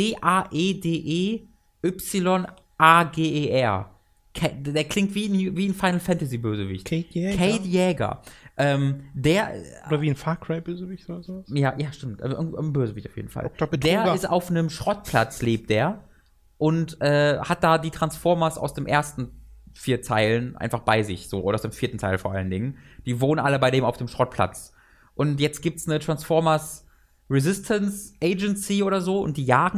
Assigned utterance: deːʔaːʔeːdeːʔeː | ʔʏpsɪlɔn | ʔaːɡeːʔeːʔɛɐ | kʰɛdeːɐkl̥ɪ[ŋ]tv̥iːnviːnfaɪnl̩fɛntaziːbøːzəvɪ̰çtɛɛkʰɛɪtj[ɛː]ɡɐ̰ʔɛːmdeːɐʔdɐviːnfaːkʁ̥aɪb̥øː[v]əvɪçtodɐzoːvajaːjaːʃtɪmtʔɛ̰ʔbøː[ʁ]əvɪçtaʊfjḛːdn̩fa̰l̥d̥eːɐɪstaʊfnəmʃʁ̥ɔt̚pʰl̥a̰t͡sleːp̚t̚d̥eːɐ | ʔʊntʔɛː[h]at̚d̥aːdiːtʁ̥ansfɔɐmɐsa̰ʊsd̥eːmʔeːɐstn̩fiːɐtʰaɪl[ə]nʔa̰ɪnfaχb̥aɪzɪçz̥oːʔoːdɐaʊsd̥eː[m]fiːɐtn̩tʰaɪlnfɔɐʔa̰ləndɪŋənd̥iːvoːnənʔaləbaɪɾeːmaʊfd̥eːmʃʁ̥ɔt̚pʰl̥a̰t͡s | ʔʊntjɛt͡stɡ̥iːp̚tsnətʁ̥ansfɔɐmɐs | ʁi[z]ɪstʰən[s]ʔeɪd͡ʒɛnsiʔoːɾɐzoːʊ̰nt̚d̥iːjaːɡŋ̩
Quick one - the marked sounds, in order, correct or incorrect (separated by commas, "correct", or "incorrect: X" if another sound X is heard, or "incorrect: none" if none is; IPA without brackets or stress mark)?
correct, correct, incorrect: z, incorrect: z, correct, correct, correct, correct, correct